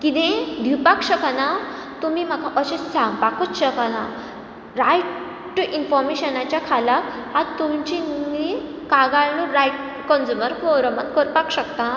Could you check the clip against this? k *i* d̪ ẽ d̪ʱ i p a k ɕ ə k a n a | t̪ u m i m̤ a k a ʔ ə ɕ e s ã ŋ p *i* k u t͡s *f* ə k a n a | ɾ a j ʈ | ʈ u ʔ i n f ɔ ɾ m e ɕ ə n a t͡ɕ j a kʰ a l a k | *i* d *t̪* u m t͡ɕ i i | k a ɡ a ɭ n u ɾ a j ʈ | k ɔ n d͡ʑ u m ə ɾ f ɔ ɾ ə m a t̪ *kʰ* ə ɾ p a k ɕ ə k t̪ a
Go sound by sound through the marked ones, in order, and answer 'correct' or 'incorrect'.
correct, incorrect: a, incorrect: ɕ, incorrect: a, correct, incorrect: k

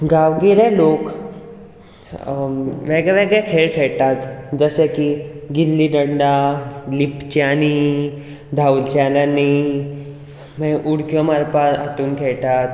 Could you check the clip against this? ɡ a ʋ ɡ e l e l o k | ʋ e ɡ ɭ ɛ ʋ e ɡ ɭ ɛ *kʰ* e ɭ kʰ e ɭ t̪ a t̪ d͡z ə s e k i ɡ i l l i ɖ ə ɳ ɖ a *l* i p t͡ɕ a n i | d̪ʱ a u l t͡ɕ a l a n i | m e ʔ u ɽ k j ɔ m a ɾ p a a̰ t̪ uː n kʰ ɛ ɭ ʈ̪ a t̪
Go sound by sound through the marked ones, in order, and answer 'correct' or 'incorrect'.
correct, correct

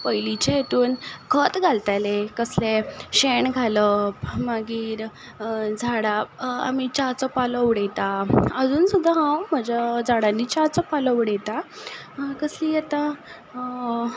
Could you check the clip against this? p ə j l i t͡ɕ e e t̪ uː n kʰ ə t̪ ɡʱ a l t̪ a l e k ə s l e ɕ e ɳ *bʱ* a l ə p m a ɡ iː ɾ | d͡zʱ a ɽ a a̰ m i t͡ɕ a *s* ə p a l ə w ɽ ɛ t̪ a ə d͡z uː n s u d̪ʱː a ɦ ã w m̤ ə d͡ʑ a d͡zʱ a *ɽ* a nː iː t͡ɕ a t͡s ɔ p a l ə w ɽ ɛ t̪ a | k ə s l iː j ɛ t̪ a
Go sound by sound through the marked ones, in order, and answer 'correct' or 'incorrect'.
incorrect: ɡʱ, incorrect: t͡s, correct

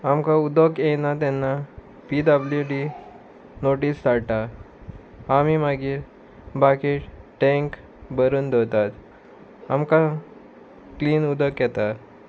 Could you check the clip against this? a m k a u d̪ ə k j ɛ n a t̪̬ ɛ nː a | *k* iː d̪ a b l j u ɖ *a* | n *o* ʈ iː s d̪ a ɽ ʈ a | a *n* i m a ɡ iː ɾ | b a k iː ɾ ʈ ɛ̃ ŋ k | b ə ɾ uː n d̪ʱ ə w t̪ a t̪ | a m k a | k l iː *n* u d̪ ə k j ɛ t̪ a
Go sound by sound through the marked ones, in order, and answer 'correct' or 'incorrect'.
incorrect: p, incorrect: i, correct, incorrect: m, correct

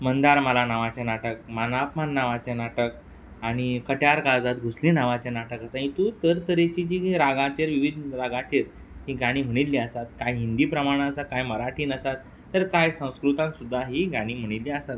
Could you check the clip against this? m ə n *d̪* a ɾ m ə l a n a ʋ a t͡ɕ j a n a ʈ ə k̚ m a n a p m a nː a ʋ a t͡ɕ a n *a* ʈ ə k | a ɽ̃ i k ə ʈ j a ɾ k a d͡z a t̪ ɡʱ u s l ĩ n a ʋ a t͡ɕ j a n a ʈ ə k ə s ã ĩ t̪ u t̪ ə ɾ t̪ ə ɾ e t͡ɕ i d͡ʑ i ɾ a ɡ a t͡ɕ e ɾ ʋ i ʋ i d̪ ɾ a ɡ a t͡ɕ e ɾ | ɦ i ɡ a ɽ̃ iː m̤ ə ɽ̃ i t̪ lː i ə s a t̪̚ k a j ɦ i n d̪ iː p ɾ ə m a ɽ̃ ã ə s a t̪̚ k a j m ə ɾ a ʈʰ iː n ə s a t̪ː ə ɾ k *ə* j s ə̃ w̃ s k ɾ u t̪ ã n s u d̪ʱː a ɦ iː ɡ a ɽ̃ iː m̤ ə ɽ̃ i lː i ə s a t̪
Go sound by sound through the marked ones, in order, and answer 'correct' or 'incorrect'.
correct, correct, incorrect: a

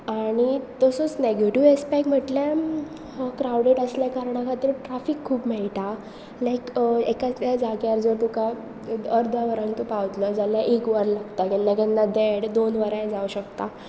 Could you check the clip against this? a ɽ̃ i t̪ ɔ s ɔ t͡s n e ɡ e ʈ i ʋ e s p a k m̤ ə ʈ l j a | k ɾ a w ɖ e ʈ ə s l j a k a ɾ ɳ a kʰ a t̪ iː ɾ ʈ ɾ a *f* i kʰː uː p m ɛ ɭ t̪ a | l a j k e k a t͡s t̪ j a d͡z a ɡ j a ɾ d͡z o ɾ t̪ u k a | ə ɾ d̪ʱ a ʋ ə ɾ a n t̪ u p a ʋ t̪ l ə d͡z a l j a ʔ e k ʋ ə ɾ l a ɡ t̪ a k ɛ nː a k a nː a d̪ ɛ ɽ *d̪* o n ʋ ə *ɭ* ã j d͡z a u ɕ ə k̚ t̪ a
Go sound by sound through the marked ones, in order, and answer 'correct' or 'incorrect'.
correct, correct, incorrect: ɾ

